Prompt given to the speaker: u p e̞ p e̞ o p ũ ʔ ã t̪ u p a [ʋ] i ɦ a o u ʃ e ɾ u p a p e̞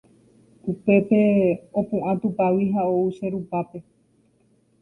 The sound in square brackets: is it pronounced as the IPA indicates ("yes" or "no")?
no